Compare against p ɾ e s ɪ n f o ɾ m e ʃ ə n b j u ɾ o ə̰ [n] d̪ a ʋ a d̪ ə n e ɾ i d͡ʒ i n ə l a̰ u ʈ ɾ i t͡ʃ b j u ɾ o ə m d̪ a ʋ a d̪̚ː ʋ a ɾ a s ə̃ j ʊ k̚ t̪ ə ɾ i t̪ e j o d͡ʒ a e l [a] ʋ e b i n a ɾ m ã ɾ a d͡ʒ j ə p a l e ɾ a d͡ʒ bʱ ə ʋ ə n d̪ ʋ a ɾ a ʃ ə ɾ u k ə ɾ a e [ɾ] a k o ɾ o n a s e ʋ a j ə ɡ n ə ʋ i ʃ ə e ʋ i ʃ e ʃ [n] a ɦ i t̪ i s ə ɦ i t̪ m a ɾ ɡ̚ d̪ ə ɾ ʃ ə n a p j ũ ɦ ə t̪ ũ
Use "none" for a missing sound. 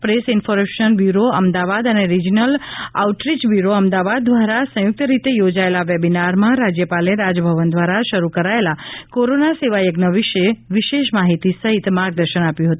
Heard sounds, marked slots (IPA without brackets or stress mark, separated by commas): m, a, l, m